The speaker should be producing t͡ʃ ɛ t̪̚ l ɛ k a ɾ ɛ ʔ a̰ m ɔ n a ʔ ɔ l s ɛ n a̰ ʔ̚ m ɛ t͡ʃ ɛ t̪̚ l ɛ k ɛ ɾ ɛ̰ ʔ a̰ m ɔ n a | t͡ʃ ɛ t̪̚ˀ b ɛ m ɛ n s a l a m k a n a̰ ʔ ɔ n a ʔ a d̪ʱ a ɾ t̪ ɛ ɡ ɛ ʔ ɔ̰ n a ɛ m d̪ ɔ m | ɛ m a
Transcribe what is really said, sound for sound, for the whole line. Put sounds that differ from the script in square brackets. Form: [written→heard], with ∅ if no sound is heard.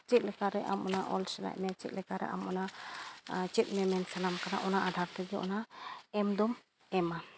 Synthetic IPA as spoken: t͡ʃ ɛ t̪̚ l ɛ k a ɾ ɛ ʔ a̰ m ɔ n a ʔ ɔ l s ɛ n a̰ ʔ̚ m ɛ t͡ʃ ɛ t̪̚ l ɛ k [ɛ→a] ɾ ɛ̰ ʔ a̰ m ɔ n a | t͡ʃ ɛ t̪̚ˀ [b→m] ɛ m ɛ n s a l a m k a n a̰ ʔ ɔ n a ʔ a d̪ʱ a ɾ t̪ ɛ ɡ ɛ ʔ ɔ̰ n a ɛ m d̪ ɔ m | ɛ m a

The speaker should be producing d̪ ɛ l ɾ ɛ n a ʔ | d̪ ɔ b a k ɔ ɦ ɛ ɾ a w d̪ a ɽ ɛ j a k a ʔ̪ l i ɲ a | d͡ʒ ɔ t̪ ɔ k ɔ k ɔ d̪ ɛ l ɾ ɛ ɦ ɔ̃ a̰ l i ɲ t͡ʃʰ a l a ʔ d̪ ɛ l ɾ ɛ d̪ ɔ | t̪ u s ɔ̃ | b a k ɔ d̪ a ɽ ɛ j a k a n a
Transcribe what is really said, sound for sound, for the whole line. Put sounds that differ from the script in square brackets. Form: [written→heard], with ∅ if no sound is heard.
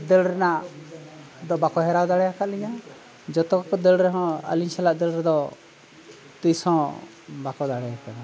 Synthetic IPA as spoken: d̪ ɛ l ɾ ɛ n a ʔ | d̪ ɔ b a k ɔ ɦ ɛ ɾ a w d̪ a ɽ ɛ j a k a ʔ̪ l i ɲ a | d͡ʒ ɔ t̪ ɔ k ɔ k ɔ d̪ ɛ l ɾ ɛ ɦ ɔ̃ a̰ l i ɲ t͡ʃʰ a l a ʔ d̪ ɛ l ɾ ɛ d̪ ɔ | t̪ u s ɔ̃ | b a k ɔ d̪ a ɽ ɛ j a k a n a

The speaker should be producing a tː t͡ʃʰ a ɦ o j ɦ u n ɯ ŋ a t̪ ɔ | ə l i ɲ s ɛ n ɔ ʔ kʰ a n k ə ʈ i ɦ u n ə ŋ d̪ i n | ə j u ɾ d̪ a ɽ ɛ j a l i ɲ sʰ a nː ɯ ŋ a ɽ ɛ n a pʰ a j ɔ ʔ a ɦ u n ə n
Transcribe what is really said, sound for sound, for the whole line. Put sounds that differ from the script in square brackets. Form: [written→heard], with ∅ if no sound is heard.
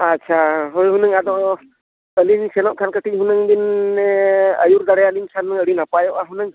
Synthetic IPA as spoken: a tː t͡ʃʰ a ɦ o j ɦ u n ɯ ŋ a [t̪→d̪] ɔ | ə l i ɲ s ɛ n ɔ ʔ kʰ a n k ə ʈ i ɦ u n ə ŋ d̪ i n | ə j u ɾ d̪ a ɽ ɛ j a l i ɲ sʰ a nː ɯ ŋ [a→ə] ɽ [ɛ→i] n a [pʰ→p] a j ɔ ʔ a ɦ u n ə [n→ŋ]

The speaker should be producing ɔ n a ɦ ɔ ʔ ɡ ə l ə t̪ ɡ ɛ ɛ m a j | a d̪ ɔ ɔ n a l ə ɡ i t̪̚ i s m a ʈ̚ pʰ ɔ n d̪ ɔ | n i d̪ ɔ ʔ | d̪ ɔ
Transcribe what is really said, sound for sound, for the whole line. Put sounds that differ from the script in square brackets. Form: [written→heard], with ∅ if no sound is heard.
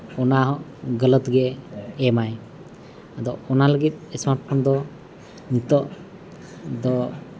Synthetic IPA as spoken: ɔ n a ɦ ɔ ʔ ɡ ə l ə t̪ ɡ ɛ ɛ m a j | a d̪ ɔ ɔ n a l ə ɡ i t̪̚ [i→ɛ] s m a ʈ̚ pʰ ɔ n d̪ ɔ | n i [d̪→t̪] ɔ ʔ | d̪ ɔ

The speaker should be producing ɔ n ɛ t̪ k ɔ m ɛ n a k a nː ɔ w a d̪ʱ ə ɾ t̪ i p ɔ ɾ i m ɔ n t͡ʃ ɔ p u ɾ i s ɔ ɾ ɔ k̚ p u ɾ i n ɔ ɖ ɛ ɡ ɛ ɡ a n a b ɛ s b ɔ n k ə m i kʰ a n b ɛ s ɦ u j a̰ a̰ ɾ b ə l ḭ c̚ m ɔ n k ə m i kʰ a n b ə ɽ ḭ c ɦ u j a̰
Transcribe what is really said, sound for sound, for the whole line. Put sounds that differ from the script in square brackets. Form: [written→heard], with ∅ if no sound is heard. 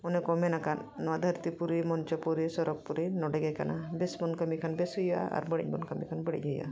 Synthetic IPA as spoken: ɔ n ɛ [t̪→∅] k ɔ m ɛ n a k a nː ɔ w a d̪ʱ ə ɾ t̪ i p [ɔ→u] ɾ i m ɔ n t͡ʃ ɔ p u ɾ i s ɔ ɾ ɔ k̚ p u ɾ i n ɔ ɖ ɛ ɡ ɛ [ɡ→k] a n a b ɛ s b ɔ n k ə m i kʰ a n b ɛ s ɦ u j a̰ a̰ ɾ b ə [l→ɽ] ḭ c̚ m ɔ n k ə m i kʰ a n b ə ɽ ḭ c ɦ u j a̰

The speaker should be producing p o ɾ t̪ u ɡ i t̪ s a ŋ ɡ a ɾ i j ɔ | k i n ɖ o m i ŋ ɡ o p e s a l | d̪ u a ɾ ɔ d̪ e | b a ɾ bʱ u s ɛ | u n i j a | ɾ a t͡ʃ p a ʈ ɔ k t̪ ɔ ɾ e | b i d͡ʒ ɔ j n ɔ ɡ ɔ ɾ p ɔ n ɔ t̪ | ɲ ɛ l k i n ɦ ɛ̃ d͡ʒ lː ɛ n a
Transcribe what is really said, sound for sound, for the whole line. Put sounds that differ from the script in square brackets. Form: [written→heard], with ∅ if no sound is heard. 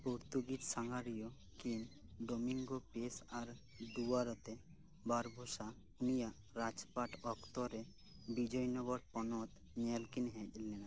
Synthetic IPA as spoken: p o ɾ t̪ u ɡ i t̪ s a ŋ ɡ a ɾ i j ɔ | k i n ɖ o m i ŋ ɡ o p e s a [l→ɾ] | d̪ u a ɾ ɔ [d̪→t̪] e | b a ɾ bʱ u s [ɛ→a] | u n i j a | ɾ a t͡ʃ p a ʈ ɔ k t̪ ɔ ɾ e | b i d͡ʒ ɔ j n ɔ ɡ ɔ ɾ p ɔ n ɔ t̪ | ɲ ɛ l k i n ɦ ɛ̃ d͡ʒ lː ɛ n a

